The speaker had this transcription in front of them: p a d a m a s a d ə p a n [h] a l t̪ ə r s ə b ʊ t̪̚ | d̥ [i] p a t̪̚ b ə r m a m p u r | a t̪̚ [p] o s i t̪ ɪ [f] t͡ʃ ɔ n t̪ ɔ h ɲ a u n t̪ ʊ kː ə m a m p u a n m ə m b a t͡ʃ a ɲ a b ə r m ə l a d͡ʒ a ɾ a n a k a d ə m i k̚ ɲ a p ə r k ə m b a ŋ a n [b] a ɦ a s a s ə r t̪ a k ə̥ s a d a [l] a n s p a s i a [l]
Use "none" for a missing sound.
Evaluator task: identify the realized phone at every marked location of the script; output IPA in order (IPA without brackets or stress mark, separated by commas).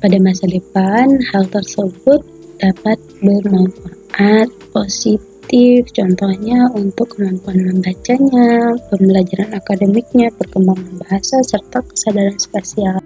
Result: h, a, p, f, b, ɾ, l